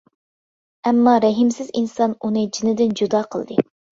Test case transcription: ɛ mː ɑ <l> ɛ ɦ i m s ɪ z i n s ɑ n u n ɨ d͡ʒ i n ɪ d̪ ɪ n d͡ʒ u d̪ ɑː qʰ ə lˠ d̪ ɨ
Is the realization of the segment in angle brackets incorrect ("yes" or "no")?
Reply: yes